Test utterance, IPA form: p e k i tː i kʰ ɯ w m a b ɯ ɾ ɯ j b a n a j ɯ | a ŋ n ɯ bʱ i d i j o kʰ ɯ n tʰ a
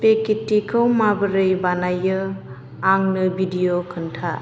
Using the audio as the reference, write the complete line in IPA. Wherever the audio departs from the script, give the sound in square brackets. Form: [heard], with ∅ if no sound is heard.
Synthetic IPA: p e k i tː i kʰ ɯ w m a b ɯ ɾ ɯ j b a n a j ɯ | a ŋ n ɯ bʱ i d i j o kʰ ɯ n tʰ a